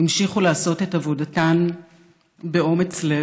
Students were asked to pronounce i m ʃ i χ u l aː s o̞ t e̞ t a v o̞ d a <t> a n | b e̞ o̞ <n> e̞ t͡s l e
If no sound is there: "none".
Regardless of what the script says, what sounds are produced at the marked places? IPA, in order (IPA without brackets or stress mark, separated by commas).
t, m